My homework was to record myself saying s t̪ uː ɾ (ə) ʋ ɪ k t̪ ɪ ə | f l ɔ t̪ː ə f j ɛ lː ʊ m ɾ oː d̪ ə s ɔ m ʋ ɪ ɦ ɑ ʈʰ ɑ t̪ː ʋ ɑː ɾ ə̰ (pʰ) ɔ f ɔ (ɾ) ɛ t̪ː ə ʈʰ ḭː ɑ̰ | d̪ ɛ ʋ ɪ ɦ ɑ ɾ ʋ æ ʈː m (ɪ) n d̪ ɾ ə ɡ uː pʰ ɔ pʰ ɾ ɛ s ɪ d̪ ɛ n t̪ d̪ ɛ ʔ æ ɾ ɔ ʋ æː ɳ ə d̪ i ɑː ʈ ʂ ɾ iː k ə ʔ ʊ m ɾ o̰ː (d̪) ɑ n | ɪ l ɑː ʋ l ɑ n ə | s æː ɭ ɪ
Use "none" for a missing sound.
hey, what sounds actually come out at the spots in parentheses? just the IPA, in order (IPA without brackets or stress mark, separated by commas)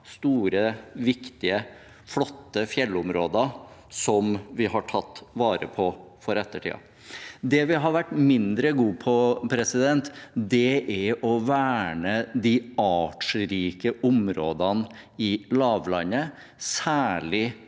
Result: ə, pʰ, ɾ, ɪ, d̪